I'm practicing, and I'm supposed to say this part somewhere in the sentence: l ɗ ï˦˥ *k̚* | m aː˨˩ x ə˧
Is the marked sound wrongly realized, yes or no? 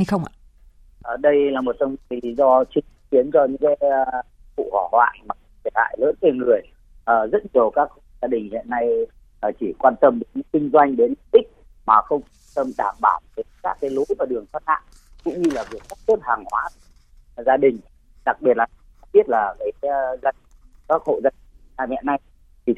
no